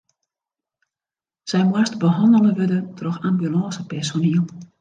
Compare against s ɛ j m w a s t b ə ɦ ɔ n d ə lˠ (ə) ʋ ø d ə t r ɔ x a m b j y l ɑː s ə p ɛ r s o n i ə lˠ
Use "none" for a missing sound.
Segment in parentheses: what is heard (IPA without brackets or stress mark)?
ə